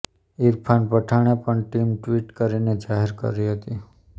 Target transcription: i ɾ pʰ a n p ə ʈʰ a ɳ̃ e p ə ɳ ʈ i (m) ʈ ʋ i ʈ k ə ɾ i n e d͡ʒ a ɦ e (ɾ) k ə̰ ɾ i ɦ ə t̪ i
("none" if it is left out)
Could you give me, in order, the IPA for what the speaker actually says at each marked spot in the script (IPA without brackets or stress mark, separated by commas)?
m, ɾ